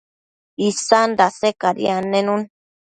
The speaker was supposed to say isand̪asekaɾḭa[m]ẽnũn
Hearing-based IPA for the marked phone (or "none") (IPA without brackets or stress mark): n